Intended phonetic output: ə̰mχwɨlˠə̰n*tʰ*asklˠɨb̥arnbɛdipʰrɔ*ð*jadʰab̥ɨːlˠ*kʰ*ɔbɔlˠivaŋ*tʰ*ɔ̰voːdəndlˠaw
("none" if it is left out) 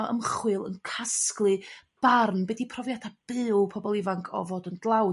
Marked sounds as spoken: kʰ, v, pʰ, kʰ

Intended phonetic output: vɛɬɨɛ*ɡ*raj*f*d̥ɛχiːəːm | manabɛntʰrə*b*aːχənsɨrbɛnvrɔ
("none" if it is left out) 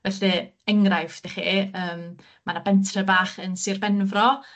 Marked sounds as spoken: ŋ, f, b

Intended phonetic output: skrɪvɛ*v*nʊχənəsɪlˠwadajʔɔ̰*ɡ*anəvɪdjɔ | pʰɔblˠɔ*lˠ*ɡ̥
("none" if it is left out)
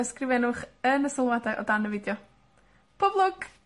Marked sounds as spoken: none, d, none

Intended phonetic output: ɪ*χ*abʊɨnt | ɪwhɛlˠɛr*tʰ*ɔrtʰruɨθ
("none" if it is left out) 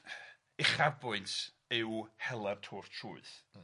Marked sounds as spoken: χ, tʰ

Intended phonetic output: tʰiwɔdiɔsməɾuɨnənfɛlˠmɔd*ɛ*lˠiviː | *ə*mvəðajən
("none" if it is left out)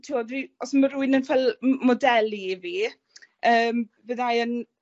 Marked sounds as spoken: ɛ, əː

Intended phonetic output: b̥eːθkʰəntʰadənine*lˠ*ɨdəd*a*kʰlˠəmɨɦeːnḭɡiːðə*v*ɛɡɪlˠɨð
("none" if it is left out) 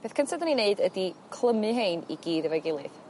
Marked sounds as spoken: none, i, v

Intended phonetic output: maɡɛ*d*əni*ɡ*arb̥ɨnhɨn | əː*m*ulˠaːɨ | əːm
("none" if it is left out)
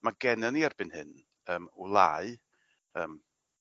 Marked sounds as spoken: n, none, m

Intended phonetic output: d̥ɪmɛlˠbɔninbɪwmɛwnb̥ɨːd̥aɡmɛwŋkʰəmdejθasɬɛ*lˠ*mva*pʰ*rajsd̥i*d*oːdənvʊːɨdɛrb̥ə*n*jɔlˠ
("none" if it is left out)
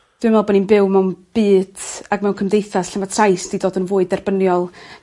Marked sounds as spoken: none, tʰ, d, n

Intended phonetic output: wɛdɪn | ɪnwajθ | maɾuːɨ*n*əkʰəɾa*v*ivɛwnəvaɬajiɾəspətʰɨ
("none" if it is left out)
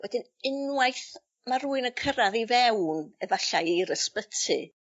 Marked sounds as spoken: n, ð

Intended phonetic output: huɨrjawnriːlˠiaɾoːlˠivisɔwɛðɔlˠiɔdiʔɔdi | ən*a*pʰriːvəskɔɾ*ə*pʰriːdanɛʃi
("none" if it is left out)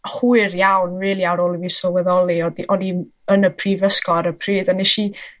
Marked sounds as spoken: ə, ə

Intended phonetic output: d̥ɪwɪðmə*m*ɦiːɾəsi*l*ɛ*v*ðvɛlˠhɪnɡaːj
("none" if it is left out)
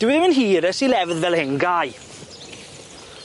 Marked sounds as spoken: n, l, v

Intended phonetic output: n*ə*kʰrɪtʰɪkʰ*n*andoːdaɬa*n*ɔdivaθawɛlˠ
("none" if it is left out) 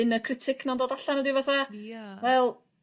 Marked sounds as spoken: ə, n, n

